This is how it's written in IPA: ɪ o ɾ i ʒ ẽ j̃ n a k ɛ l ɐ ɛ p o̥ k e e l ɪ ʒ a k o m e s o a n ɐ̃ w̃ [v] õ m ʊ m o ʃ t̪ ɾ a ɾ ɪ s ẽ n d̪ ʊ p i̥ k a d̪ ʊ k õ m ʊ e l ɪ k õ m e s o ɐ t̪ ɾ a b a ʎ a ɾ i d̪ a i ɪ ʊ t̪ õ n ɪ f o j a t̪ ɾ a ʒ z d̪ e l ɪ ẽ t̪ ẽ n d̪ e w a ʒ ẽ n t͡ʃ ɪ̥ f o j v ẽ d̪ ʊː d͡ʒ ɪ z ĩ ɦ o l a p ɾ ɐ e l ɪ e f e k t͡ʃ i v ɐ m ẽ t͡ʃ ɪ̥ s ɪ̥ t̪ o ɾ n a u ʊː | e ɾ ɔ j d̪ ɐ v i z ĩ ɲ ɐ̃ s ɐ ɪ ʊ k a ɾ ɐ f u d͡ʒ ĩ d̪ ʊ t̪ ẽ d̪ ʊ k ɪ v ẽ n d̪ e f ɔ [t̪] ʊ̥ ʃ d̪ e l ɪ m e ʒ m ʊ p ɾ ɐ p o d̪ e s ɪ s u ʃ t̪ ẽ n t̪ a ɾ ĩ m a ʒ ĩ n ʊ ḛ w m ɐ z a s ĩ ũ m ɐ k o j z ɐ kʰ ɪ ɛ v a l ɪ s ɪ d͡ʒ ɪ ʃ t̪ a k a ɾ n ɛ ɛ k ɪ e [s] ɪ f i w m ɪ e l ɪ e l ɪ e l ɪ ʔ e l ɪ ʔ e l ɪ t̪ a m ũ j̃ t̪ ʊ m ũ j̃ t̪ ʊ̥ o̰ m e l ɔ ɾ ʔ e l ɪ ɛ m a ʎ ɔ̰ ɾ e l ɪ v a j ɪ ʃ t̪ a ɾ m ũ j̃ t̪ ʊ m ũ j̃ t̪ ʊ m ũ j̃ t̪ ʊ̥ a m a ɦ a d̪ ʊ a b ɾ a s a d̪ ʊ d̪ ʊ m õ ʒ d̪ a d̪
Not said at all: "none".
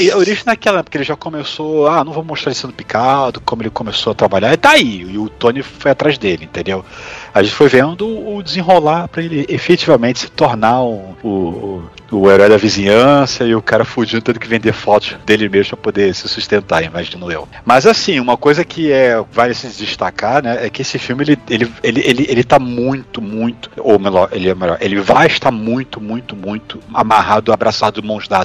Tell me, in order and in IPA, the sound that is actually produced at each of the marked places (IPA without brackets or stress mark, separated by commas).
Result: v, t̪, s